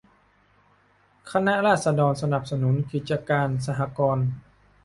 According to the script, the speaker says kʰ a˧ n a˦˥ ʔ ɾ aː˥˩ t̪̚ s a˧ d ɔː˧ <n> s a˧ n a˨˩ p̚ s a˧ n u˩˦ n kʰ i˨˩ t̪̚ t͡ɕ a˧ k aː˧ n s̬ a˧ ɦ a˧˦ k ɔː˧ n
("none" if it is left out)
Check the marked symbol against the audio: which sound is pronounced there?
n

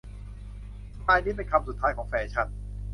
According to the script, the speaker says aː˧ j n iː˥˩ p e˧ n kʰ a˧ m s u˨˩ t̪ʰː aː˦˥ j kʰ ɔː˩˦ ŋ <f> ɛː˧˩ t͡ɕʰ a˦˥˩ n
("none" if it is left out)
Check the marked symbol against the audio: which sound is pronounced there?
f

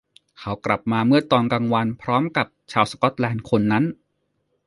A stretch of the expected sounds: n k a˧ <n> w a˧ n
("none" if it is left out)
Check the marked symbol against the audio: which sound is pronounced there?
ŋ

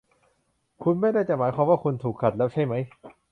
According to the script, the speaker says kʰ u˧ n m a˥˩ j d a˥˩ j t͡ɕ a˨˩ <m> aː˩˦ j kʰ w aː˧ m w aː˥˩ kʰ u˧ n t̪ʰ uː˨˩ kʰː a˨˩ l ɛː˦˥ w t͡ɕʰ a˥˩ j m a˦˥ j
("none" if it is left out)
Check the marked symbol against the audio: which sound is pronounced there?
m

